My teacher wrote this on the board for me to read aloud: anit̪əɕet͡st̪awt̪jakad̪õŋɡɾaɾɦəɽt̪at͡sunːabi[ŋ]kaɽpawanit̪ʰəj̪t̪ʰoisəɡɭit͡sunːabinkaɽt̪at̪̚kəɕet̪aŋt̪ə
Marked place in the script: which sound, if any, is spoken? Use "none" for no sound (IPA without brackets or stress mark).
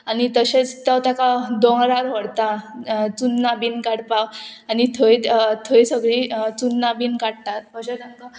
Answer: n